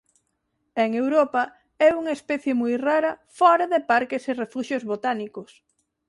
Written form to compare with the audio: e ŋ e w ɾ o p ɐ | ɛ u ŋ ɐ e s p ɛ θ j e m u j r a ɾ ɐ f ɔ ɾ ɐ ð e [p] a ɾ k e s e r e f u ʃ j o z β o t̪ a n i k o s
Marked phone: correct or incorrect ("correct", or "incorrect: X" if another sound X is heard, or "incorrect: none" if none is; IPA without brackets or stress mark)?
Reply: correct